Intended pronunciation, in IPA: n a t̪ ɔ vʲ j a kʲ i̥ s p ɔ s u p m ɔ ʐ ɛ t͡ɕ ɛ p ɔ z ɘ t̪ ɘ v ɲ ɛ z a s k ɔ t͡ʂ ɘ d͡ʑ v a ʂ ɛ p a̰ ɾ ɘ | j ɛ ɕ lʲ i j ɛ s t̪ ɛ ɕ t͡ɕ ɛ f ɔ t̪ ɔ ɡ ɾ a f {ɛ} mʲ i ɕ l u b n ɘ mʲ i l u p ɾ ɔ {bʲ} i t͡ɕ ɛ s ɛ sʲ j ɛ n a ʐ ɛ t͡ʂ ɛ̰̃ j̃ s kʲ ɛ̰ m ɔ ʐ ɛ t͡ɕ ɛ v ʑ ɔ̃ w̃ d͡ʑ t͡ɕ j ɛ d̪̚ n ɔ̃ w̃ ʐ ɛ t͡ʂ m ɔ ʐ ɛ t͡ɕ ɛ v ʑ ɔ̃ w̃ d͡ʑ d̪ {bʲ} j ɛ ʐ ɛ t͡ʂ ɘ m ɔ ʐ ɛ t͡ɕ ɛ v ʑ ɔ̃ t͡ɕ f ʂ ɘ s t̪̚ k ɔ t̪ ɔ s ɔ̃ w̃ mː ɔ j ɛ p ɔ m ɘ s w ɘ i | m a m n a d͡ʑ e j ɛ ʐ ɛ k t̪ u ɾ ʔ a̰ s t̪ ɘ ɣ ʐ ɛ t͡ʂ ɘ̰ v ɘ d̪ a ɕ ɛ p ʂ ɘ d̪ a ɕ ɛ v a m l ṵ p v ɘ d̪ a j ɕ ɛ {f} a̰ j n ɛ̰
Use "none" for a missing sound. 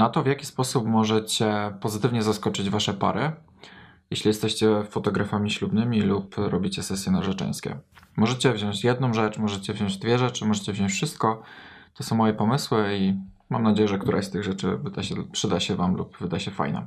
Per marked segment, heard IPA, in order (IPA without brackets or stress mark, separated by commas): a, bʲ, vʲ, f